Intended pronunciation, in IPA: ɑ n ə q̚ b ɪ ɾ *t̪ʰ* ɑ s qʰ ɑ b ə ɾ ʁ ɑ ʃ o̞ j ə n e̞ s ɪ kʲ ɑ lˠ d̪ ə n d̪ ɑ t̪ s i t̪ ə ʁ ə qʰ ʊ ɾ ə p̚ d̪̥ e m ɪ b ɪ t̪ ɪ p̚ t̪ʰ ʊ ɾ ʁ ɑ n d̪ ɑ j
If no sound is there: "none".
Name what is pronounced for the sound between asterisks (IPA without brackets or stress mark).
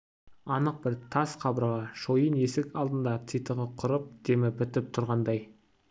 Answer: t̪ʰ